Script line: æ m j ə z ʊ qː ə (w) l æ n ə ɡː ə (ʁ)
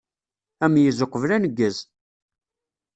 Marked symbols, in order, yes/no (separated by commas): no, no